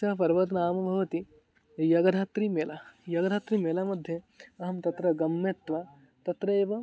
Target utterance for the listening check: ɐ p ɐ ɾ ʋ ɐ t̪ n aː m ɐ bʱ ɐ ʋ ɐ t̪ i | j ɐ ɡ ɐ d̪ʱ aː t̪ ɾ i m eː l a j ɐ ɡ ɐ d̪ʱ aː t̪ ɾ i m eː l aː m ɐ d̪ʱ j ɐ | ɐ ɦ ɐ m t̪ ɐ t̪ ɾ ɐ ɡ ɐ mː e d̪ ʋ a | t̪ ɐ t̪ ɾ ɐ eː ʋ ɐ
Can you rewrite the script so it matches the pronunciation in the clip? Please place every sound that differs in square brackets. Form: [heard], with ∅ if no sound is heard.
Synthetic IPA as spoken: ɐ p ɐ ɾ ʋ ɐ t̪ n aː m ɐ bʱ ɐ ʋ ɐ t̪ i | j ɐ ɡ ɐ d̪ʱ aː t̪ ɾ i m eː l a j ɐ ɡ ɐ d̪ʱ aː t̪ ɾ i m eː l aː m ɐ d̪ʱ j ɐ | ɐ ɦ ɐ m t̪ ɐ t̪ ɾ ɐ ɡ ɐ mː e [t̪] ʋ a | t̪ ɐ t̪ ɾ ɐ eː ʋ ɐ